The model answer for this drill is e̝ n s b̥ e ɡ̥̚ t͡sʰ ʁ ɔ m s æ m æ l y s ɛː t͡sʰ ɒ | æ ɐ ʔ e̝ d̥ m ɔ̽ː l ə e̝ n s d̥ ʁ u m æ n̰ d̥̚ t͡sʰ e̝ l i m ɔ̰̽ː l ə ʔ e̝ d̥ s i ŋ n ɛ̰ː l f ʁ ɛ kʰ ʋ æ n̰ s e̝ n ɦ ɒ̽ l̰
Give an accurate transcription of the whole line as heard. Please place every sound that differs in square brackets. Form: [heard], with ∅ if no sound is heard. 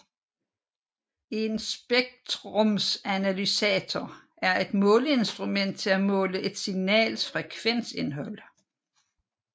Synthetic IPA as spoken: e̝ n s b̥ e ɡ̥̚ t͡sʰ ʁ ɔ m s æ [n] æ l y s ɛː t͡sʰ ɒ | æ ɐ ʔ e̝ d̥ m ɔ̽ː l ə e̝ n s d̥ ʁ u m [e] n̰ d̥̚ t͡sʰ e̝ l [æ] m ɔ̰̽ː l ə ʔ e̝ d̥ s i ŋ n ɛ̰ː l f ʁ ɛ kʰ ʋ [e] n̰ s e̝ n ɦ ɒ̽ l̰